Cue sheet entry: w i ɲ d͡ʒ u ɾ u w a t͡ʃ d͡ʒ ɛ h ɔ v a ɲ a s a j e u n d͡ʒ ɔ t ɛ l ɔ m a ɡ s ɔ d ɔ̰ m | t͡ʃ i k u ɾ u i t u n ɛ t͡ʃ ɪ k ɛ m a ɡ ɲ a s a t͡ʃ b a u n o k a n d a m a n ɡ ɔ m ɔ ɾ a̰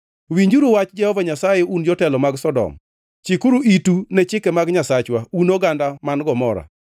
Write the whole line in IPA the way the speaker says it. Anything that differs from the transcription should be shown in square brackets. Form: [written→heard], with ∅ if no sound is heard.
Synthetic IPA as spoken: w i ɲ d͡ʒ u ɾ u w a t͡ʃ d͡ʒ ɛ h ɔ v a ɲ a s a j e u n d͡ʒ ɔ t ɛ l ɔ m a ɡ s ɔ d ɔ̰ m | t͡ʃ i k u ɾ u i t u n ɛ t͡ʃ ɪ k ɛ m a ɡ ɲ a s a t͡ʃ [b→w] a u n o [k→ɡ] a n d a m a n ɡ ɔ m ɔ ɾ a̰